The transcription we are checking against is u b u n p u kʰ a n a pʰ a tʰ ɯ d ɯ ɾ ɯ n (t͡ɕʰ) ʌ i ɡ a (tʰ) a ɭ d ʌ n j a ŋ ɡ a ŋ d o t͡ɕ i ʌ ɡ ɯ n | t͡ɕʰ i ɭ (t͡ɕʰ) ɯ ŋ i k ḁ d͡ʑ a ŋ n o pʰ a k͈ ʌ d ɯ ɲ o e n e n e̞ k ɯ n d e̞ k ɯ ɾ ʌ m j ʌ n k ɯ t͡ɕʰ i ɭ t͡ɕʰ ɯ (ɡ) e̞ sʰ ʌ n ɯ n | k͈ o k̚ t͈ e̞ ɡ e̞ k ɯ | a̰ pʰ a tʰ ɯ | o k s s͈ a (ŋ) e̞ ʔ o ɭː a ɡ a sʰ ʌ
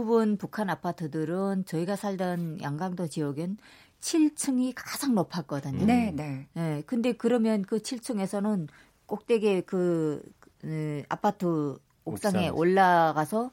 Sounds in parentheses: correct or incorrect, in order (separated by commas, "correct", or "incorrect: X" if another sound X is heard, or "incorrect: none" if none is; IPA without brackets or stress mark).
incorrect: t͡ɕ, incorrect: sʰ, correct, incorrect: ŋ, correct